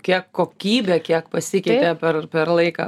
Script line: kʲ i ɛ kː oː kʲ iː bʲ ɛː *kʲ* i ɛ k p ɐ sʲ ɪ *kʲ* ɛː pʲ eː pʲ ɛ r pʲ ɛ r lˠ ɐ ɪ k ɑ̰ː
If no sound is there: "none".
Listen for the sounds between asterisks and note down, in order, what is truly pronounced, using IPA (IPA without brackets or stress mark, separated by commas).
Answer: kʲ, kʲ